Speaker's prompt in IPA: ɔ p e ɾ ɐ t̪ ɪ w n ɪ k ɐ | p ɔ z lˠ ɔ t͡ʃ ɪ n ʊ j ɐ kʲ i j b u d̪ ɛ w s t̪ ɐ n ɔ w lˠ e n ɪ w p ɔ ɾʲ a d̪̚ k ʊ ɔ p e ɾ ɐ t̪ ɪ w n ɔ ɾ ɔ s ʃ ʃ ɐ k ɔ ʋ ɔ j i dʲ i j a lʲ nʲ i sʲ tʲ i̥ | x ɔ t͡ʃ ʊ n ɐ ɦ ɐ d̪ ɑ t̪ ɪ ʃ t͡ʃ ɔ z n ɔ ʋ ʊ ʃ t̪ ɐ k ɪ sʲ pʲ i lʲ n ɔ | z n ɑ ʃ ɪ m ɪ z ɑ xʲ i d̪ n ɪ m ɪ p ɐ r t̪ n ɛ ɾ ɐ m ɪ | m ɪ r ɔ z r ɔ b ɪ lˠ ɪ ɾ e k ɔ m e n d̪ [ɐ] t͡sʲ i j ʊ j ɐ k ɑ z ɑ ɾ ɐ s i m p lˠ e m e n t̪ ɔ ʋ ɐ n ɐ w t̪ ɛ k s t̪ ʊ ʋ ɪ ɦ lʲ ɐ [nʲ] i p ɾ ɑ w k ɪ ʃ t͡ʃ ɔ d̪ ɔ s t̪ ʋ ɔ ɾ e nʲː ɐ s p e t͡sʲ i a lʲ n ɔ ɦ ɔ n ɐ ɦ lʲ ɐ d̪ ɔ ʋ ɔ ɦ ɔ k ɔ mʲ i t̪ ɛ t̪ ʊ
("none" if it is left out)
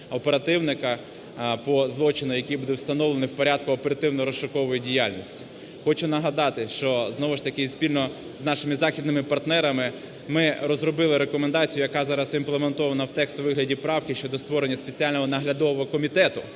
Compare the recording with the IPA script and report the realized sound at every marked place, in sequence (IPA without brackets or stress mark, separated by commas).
ɑ, dʲ